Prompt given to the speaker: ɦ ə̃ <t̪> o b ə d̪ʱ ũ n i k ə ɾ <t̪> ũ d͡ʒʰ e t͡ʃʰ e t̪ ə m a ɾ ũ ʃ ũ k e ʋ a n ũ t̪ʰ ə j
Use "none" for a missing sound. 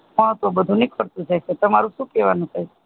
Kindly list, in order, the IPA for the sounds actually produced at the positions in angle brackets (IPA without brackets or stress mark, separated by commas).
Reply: t̪, t̪